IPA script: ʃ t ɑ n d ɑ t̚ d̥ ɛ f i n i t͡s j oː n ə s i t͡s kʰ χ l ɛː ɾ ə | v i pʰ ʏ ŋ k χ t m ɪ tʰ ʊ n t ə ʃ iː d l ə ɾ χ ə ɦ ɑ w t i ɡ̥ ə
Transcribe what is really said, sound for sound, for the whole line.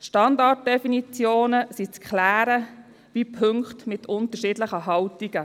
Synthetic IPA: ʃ t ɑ n d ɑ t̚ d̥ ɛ f i n i t͡s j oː n ə s i t͡s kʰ χ l æː ɾ ə | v i pʰ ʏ ŋ k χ t m ɪ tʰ ʊ n t ə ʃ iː d l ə χ ə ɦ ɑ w t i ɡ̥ ə